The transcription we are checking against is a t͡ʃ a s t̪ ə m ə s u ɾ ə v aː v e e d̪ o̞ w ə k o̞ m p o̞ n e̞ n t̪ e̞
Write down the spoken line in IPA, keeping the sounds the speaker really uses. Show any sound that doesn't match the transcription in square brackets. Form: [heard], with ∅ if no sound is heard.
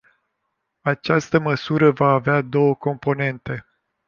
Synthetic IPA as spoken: a t͡ʃ a s t̪ ə m ə s u ɾ ə v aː v e [a] d̪ o̞ w ə k o̞ m p o̞ n e̞ n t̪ e̞